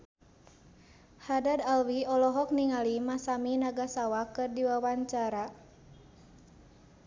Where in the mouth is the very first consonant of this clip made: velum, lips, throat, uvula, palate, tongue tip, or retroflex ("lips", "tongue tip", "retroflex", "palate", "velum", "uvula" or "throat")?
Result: throat